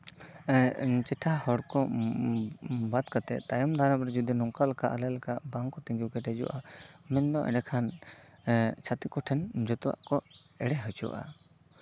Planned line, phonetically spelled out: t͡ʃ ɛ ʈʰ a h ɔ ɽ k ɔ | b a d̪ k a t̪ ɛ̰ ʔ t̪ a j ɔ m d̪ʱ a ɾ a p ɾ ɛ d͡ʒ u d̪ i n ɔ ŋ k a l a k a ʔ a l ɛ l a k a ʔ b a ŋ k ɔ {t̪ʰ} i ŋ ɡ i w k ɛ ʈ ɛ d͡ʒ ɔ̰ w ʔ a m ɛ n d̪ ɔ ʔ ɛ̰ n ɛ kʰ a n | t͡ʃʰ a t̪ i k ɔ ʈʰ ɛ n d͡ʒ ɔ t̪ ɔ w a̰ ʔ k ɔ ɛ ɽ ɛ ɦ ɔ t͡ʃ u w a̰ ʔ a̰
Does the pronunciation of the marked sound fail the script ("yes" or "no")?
yes